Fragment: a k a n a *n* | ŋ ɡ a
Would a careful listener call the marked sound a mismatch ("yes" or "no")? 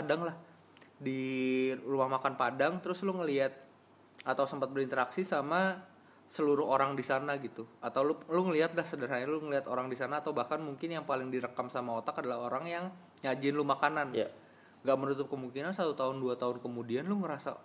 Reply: no